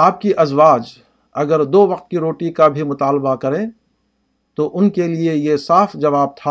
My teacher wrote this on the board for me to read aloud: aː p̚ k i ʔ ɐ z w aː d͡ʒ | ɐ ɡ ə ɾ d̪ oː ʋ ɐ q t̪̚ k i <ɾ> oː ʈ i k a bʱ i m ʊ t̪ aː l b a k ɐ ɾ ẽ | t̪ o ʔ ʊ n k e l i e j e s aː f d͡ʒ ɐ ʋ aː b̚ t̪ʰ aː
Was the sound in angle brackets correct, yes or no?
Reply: yes